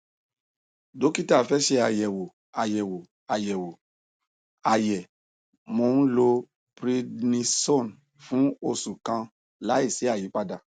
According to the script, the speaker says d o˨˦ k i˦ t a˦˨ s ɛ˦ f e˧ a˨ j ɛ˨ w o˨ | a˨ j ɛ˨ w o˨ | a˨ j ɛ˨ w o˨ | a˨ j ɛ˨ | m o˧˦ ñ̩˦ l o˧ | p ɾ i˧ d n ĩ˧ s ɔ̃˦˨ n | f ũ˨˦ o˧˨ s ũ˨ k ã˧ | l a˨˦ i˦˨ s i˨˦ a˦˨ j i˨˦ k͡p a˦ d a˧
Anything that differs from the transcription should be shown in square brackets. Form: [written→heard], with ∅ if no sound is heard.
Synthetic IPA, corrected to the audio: d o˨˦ k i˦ t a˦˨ [s→f] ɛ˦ [f→ʃ] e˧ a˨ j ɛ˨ w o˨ | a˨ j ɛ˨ w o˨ | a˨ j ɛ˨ w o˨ | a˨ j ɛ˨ | m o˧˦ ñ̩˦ l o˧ | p ɾ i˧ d n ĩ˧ s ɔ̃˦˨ n | f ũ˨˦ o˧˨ s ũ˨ k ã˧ | l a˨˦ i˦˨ s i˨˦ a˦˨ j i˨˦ k͡p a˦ d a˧